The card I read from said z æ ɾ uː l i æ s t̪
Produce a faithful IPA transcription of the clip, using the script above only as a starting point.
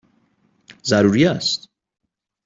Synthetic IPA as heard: z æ ɾ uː ɾ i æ s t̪

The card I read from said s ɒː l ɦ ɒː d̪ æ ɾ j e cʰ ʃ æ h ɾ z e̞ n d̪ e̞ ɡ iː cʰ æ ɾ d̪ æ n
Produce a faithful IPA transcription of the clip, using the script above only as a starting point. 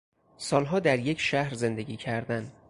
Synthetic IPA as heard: s ɒː l ɦ ɒː d̪ æ ɾ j e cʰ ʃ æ h ɾ z e̞ n d̪ e̞ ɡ iː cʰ æ ɾ d̪ æ n

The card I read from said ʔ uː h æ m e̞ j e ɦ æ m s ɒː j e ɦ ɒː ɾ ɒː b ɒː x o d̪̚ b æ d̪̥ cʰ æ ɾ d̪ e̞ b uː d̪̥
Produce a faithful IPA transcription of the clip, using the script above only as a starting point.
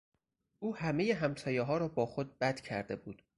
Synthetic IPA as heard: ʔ uː h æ m e̞ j e ɦ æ m s ɒː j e ɦ ɒː ɾ ɒː b ɒː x o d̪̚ b æ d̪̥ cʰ æ ɾ d̪ e̞ b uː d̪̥

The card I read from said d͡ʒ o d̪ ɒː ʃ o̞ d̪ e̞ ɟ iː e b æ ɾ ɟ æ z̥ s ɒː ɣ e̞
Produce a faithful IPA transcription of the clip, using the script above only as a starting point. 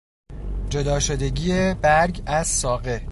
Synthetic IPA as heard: d͡ʒ o d̪ ɒː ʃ o̞ d̪ e̞ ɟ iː e b æ ɾ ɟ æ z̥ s ɒː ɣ e̞

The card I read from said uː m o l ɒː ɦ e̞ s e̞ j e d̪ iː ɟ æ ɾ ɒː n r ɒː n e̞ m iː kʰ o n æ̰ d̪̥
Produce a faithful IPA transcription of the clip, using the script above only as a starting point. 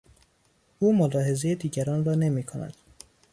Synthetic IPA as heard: uː m o l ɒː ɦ e̞ z e̞ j e d̪ iː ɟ æ ɾ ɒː n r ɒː n e̞ m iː kʰ o n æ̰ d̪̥

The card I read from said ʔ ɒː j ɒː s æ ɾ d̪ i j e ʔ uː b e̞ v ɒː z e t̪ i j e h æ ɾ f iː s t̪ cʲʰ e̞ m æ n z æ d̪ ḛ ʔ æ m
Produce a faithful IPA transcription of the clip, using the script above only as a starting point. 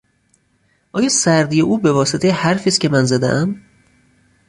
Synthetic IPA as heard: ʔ ɒː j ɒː s æ ɾ d̪ i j e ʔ uː b e̞ v ɒː s e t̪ e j e h æ ɾ f iː s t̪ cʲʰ e̞ m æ n z æ d̪ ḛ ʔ æ m

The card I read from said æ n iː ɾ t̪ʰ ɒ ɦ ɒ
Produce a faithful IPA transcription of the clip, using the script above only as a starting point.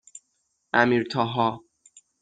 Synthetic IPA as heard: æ m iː ɾ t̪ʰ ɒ ɦ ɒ

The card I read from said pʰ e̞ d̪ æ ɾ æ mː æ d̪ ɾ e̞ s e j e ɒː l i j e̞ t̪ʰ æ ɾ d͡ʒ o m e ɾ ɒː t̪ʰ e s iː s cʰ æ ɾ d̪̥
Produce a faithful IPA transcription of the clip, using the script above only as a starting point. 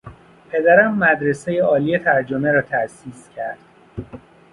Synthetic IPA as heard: pʰ e̞ d̪ æ ɾ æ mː æ d̪ ɾ e̞ s e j e ɒː l i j e̞ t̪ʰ æ ɾ d͡ʒ o m e ɾ ɒː t̪ʰ æ s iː s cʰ æ ɾ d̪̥

